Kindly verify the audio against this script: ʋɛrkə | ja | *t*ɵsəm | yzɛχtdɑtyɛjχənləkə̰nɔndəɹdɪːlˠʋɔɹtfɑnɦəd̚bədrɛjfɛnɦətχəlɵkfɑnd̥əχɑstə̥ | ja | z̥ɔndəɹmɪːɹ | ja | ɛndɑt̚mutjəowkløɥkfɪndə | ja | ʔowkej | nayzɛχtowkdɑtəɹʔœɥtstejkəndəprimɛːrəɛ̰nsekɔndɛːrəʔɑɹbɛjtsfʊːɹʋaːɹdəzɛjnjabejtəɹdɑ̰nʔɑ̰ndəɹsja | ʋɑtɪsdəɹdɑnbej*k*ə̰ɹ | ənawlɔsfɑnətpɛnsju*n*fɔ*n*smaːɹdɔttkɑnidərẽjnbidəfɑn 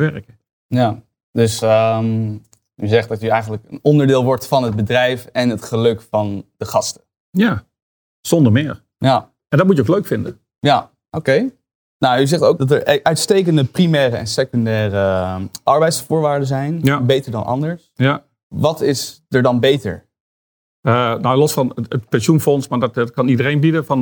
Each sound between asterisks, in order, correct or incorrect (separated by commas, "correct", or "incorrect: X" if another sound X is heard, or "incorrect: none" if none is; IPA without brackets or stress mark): incorrect: d, incorrect: t, correct, correct